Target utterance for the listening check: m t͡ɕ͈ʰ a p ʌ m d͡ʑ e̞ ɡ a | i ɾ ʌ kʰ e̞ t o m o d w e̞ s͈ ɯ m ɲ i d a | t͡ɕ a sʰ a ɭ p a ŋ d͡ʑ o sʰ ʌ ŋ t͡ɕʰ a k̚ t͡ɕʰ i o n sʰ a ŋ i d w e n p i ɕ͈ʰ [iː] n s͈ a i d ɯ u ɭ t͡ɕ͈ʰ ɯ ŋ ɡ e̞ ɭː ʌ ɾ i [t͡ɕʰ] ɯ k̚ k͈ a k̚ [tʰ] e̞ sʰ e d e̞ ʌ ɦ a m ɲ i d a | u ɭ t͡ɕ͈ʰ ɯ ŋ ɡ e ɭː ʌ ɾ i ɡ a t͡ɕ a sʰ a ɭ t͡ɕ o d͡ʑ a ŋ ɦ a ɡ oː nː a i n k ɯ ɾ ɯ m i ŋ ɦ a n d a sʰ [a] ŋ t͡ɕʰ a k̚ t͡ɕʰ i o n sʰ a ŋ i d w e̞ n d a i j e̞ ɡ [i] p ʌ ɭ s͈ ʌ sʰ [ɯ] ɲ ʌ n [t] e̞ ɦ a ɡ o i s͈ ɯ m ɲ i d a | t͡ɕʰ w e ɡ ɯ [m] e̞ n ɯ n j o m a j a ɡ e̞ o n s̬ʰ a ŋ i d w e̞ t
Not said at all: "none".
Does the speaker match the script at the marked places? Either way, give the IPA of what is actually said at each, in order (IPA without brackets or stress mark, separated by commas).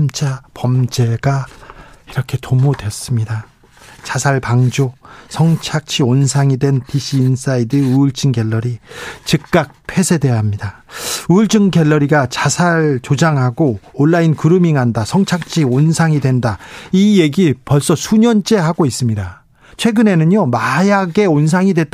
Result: iː, t͡ɕ, pʰ, ʌ, i, u, t͡ɕ͈, n